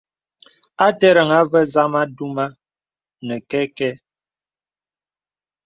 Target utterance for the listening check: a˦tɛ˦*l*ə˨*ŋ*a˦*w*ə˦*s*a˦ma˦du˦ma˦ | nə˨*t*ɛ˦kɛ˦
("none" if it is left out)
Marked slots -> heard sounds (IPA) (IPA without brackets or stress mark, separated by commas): ɾ, ŋ, v, z, k